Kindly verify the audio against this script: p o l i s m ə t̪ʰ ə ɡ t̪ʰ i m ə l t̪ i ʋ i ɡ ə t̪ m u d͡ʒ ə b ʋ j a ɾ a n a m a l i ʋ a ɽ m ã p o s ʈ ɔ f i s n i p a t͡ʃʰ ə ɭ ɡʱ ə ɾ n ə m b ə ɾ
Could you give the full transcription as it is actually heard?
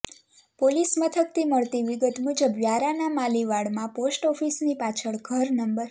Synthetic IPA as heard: p o l i s m ə t̪ʰ ə k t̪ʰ i m ə ɭ t̪ i ʋ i ɡ ə t̪ m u d͡ʒ ə b ʋ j a ɾ a n a m a l i ʋ a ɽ m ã p o s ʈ ɔ f i s n i p a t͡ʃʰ ə ɭ ɡʱ ə ɾ n ə m b ə ɾ